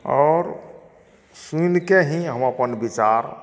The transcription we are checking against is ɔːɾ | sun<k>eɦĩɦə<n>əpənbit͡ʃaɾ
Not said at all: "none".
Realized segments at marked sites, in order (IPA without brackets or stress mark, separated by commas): k, m